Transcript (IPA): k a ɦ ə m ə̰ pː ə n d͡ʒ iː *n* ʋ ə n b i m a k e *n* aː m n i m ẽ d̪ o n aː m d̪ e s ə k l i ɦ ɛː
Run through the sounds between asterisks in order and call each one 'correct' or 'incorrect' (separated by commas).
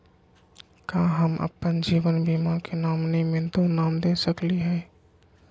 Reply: incorrect, correct